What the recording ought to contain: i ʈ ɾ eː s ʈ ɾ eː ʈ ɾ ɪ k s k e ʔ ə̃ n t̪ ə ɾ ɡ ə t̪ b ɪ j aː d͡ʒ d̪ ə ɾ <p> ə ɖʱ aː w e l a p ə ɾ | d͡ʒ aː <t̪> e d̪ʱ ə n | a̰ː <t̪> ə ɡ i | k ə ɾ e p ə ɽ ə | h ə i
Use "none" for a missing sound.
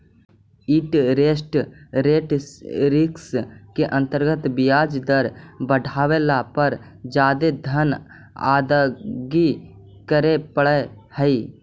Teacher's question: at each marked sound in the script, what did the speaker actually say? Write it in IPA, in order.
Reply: b, d̪, d̪

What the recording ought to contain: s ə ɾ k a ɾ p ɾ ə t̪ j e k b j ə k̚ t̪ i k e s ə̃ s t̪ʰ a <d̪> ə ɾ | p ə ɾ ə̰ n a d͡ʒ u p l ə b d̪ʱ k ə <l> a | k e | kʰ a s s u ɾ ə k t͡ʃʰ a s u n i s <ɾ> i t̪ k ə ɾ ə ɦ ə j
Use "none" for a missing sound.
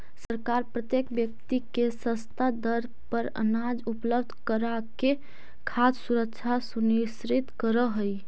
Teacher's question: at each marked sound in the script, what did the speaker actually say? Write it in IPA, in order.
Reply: d̪, ɾ, ɾ

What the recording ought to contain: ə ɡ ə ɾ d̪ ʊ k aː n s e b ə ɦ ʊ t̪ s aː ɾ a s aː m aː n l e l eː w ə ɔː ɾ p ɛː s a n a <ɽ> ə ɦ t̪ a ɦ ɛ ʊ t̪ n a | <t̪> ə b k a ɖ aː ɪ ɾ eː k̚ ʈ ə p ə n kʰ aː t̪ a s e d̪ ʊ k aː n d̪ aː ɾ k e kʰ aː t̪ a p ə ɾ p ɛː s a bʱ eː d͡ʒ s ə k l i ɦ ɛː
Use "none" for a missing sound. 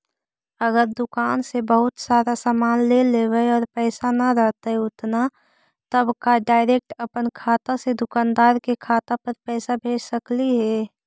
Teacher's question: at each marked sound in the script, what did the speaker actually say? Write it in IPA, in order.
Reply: ɾ, t̪

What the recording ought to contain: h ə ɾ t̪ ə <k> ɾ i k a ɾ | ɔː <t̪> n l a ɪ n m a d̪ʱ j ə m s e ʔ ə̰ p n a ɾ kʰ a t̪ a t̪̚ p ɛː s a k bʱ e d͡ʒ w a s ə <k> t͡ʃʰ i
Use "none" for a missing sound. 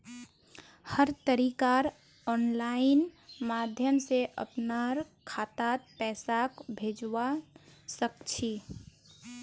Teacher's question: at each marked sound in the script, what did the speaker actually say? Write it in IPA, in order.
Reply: none, none, k

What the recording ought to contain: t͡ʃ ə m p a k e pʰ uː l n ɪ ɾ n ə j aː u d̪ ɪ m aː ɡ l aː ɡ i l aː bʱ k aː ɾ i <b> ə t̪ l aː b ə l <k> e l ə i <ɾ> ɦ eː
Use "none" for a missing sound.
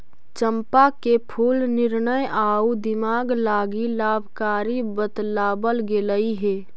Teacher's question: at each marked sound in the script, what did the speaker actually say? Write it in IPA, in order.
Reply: b, ɡ, none

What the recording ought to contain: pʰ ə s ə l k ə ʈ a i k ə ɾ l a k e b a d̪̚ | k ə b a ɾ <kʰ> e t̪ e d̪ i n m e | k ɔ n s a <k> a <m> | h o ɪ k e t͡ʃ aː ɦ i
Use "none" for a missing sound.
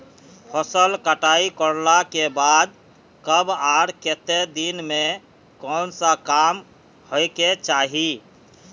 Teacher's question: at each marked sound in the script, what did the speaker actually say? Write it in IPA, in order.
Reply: k, k, m

